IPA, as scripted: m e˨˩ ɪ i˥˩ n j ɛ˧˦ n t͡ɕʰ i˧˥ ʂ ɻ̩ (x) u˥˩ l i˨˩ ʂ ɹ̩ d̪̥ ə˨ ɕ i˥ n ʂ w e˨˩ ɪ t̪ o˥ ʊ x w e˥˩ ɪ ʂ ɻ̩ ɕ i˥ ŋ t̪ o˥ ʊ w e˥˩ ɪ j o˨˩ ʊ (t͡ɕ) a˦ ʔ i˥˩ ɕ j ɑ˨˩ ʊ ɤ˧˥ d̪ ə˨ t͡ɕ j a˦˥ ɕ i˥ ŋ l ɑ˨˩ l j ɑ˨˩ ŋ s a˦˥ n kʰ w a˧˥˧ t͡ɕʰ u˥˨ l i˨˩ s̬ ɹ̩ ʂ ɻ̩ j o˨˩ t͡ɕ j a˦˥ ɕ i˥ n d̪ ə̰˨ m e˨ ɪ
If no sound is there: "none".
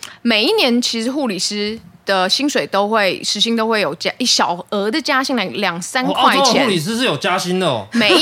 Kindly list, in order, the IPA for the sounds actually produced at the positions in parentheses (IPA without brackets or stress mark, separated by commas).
x, t͡ɕ